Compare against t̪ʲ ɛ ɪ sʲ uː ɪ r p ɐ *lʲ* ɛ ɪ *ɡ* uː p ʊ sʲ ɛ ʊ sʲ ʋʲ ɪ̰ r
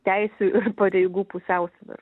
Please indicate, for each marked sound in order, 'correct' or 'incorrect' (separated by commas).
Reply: incorrect, correct